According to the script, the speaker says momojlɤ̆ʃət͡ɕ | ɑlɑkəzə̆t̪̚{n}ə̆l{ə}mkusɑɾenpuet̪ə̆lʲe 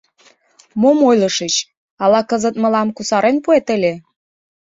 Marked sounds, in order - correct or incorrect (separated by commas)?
incorrect, incorrect